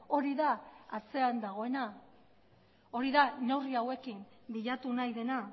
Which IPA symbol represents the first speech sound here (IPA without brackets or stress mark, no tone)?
o̞